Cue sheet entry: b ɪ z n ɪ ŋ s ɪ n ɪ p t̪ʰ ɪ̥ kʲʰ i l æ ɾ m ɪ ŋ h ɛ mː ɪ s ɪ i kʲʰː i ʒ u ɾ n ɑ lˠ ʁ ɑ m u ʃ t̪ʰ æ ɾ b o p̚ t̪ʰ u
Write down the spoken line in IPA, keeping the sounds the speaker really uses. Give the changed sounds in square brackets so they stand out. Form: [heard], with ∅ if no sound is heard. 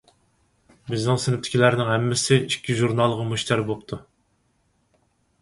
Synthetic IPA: b ɪ z n ɪ ŋ s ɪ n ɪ p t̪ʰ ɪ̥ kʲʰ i l æ ɾ [n] ɪ ŋ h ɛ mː ɪ s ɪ i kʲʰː i ʒ u ɾ n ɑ lˠ ʁ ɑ m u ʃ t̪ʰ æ ɾ b o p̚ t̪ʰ u